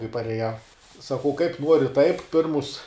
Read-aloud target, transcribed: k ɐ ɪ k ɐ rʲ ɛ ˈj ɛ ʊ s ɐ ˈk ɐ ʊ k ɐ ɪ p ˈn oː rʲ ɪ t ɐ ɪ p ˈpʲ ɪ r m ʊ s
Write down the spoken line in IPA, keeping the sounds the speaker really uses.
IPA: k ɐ ɪ p ɐ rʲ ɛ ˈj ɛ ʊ s ɐ ˈk ɐ ʊ k ɐ ɪ p ˈn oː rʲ ɪ t ɐ ɪ p ˈpʲ ɪ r m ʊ s